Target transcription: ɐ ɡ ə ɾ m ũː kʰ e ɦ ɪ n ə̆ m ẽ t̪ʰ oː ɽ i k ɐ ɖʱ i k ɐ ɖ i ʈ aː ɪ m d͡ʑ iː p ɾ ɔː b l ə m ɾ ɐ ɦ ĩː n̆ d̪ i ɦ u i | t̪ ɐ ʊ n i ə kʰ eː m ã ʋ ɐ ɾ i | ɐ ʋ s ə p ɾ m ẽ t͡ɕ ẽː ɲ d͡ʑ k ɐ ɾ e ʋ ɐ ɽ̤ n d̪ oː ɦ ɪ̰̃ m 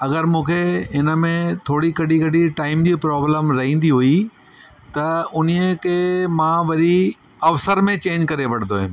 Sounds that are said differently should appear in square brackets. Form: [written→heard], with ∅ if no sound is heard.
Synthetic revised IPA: ɐ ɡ ə ɾ m ũː kʰ e ɦ ɪ n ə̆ m ẽ t̪ʰ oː ɽ i k ɐ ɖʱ i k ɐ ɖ i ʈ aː ɪ m d͡ʑ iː p ɾ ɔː b l ə m ɾ ɐ ɦ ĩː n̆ d̪ i ɦ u i | t̪ ɐ ʊ n i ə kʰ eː m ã ʋ ɐ ɾ i | ɐ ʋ s ə [p→∅] ɾ m ẽ t͡ɕ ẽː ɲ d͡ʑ k ɐ ɾ e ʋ ɐ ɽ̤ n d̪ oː ɦ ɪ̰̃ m